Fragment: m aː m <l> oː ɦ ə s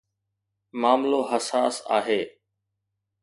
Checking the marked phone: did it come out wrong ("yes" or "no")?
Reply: no